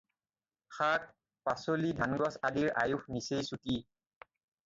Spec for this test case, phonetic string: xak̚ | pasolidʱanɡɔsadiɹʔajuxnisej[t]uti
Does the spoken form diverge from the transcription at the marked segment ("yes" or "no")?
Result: yes